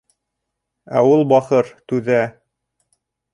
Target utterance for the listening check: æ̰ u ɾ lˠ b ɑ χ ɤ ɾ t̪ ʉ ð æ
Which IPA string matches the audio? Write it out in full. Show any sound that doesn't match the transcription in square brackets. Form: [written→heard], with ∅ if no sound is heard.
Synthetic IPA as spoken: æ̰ u [ɾ→∅] lˠ b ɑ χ ɤ ɾ t̪ ʉ ð æ